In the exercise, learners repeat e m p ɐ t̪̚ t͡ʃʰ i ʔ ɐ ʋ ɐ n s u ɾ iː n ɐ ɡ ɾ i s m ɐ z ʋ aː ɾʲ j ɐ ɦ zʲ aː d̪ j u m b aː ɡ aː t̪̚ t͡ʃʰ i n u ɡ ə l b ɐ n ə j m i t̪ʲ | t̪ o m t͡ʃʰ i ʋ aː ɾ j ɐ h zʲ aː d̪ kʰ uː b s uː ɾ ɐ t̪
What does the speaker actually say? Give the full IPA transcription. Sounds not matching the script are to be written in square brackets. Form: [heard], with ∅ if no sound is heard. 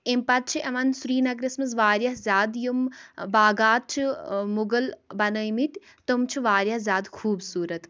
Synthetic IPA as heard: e m p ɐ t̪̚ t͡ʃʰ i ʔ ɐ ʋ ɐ n s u ɾ iː n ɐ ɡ ɾ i s m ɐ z ʋ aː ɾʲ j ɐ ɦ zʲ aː d̪ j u m b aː ɡ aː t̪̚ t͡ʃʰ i [m] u ɡ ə l b ɐ n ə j m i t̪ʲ | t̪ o m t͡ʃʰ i ʋ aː ɾ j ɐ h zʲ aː d̪ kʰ uː b s uː ɾ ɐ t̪